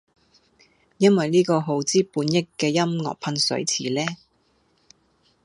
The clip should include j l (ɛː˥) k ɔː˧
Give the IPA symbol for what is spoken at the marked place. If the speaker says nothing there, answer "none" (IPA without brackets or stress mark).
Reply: iː˥